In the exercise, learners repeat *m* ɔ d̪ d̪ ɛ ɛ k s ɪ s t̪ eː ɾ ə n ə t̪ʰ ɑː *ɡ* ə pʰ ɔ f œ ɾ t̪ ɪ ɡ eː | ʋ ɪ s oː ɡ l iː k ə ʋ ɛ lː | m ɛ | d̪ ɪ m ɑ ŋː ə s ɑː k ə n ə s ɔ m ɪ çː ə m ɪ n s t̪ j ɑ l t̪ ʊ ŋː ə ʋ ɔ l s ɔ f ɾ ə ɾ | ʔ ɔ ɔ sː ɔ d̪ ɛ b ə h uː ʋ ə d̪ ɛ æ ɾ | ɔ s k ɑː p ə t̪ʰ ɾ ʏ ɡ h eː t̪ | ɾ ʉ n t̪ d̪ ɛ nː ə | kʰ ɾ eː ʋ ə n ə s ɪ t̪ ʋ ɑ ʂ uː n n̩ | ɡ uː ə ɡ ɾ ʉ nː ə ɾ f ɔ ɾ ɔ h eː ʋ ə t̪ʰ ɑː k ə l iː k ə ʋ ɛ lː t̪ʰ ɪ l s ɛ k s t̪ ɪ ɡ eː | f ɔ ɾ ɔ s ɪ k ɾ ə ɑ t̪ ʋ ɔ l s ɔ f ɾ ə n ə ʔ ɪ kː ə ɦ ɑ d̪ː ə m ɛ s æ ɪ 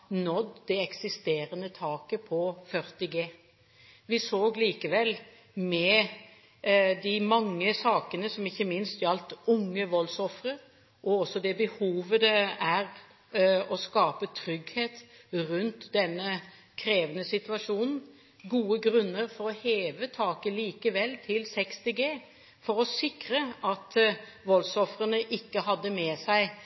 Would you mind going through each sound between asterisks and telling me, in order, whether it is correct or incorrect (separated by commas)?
incorrect, incorrect